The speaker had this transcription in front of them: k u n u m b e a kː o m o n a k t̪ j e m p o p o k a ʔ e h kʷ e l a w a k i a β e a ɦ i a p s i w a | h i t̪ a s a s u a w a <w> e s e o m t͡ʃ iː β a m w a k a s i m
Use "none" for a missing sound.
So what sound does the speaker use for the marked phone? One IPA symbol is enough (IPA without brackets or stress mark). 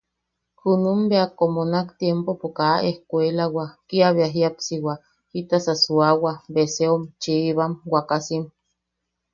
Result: b